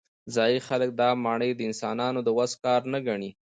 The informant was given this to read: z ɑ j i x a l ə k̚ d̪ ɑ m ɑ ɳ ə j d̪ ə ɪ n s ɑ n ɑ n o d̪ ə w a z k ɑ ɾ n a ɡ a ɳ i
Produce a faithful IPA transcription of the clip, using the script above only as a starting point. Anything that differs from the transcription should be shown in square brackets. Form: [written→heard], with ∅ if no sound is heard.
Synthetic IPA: z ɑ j i x a l ə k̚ d̪ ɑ m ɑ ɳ ə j d̪ ə ɪ n s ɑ n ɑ n o d̪ ə w a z k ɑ ɾ n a ɡ a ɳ i